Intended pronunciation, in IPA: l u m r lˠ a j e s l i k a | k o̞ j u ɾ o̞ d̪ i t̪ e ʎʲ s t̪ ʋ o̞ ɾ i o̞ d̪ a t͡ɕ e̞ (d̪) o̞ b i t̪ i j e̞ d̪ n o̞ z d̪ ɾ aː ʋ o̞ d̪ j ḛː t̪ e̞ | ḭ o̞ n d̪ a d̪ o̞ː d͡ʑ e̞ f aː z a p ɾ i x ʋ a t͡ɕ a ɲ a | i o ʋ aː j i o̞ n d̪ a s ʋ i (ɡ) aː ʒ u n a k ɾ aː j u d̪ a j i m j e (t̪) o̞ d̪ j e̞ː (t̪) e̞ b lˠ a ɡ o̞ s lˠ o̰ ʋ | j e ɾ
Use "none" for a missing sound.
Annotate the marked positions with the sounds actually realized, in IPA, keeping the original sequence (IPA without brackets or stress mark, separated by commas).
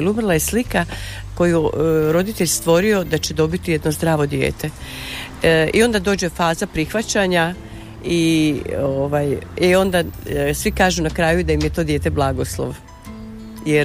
d̪, k, t̪, t̪